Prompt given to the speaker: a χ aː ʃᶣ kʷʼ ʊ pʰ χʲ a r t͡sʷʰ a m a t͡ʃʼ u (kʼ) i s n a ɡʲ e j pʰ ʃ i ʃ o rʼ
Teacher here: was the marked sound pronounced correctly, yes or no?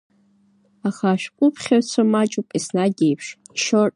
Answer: no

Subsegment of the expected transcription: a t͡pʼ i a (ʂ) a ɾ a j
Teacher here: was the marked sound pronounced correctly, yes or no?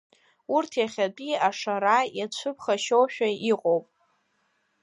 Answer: yes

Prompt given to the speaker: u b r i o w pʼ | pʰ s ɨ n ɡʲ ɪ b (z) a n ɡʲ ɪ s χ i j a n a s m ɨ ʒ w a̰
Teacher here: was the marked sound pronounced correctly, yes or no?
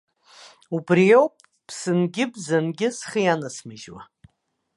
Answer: yes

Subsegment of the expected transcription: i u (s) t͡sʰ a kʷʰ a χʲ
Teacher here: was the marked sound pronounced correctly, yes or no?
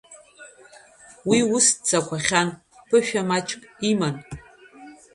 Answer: yes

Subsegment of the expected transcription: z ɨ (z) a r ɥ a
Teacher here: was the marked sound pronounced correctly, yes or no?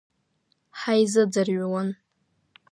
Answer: no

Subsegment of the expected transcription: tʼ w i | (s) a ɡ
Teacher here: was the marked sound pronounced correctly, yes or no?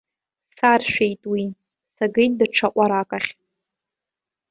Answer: yes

